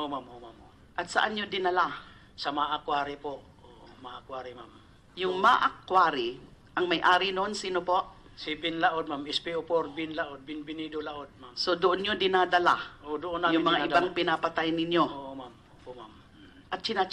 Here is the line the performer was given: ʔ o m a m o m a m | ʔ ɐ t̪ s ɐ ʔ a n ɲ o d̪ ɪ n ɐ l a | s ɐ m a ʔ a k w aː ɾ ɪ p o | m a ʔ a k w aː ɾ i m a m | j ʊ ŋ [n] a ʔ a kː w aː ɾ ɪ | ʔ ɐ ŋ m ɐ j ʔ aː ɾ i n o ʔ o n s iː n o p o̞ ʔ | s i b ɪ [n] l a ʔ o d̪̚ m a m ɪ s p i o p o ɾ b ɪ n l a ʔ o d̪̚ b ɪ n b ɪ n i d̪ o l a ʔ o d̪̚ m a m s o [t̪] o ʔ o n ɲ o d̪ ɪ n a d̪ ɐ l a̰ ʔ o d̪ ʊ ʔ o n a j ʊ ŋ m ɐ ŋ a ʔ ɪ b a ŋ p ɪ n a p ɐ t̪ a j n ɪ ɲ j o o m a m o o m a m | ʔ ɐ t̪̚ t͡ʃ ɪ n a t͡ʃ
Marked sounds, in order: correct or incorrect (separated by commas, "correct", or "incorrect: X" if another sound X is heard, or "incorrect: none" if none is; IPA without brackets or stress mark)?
incorrect: m, correct, incorrect: d̪